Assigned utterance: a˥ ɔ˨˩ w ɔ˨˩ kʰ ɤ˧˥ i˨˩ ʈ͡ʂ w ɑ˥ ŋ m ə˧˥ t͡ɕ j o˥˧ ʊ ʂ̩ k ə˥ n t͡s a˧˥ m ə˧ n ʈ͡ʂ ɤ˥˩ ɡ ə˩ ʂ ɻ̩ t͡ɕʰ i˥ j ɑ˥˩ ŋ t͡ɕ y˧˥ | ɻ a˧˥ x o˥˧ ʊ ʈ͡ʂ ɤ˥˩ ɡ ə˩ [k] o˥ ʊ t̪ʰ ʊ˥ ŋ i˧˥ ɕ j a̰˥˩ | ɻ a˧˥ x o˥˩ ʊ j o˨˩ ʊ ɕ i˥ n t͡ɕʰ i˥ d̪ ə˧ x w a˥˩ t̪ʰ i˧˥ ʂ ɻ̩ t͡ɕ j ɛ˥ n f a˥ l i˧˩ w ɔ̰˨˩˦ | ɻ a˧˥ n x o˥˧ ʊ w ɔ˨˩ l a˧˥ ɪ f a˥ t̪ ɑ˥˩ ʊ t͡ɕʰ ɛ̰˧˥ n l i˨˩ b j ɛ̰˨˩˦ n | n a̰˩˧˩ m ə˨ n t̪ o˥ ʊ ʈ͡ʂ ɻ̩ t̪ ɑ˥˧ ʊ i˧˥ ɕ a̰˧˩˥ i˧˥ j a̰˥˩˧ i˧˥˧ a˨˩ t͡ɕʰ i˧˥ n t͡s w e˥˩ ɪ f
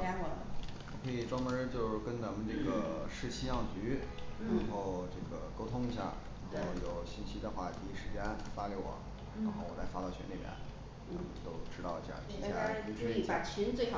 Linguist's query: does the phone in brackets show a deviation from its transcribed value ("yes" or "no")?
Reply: no